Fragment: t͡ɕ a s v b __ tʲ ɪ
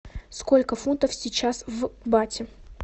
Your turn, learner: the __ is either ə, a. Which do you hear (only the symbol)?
a